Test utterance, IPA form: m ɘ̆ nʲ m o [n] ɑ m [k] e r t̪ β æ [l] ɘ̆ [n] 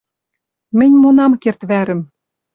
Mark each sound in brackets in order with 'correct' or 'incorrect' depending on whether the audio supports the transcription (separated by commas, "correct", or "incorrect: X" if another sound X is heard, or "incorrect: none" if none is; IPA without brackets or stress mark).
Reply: correct, correct, incorrect: ɾ, incorrect: m